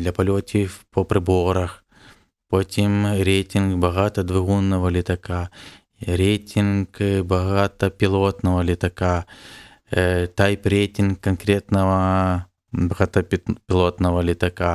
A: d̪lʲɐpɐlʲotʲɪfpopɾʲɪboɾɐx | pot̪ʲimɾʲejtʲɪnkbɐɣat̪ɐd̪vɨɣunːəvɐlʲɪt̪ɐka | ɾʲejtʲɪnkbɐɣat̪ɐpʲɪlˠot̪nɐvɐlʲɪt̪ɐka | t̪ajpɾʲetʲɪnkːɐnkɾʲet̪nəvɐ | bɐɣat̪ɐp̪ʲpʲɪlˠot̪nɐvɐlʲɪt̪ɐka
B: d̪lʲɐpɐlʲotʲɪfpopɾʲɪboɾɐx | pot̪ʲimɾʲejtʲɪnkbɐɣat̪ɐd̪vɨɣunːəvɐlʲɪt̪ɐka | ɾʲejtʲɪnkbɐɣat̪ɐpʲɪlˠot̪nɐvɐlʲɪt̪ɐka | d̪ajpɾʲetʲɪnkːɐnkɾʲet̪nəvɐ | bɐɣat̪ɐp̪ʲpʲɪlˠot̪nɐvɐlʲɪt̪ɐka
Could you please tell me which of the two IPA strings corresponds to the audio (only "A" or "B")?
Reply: A